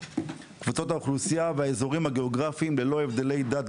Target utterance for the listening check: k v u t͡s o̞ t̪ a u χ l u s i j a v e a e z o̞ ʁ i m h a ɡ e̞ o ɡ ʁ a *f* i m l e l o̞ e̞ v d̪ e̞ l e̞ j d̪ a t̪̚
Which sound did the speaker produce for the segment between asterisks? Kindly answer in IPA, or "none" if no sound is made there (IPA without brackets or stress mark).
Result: f